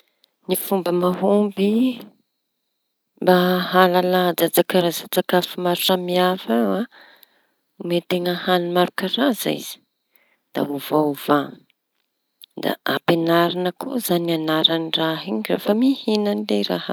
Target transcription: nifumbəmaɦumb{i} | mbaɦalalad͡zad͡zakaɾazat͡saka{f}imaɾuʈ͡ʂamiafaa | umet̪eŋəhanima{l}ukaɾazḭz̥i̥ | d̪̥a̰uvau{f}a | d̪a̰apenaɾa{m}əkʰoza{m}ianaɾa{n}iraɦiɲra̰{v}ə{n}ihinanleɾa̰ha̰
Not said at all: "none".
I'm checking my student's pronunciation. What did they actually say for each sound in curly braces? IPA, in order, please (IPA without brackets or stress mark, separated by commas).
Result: i, f, ɾ, v, n, n, n, f, m